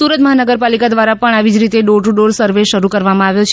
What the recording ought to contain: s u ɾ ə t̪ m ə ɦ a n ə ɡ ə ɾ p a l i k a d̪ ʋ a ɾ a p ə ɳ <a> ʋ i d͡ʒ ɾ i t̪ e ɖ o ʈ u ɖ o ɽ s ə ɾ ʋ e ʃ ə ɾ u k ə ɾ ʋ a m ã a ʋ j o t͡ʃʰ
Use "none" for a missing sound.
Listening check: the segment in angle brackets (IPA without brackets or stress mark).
a